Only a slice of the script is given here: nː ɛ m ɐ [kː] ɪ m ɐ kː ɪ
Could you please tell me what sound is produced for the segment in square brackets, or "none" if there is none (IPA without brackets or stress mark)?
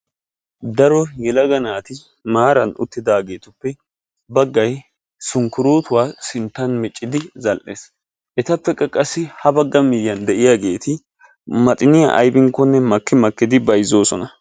kː